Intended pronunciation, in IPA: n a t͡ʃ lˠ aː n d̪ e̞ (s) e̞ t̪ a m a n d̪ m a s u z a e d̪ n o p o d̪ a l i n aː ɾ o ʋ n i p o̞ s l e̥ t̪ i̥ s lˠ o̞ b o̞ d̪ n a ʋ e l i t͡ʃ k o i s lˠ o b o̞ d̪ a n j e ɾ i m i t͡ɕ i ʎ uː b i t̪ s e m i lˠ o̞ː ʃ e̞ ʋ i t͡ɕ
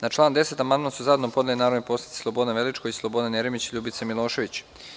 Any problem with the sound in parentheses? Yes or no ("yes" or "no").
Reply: no